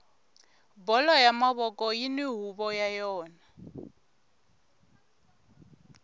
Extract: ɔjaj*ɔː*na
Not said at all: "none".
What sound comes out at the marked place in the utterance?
ɔː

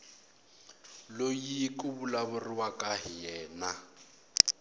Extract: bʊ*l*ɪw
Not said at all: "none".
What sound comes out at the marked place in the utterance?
r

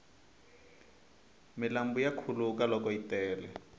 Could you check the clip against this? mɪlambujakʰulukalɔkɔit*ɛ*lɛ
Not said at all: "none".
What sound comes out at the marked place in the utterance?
ɛː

